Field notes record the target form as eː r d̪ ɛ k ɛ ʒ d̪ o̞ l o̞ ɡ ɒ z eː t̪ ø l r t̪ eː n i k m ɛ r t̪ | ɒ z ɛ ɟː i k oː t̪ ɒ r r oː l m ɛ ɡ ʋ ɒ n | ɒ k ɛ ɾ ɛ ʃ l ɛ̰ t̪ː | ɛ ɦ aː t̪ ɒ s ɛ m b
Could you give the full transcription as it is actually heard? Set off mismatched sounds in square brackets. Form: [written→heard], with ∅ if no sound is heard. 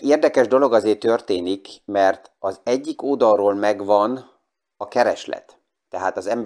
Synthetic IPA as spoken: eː r d̪ ɛ k ɛ ʒ d̪ o̞ l o̞ ɡ ɒ z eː t̪ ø [l→∅] r t̪ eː n i k m ɛ r t̪ | ɒ z ɛ ɟː i k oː [t̪→d̪] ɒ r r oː l m ɛ ɡ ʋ ɒ n | ɒ k ɛ ɾ ɛ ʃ l ɛ̰ t̪ː | ɛ ɦ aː t̪ ɒ [s→z] ɛ m b